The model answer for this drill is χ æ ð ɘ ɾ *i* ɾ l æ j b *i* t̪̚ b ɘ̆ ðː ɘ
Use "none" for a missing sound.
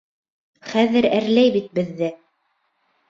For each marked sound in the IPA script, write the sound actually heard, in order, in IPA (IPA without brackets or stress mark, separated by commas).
æ, i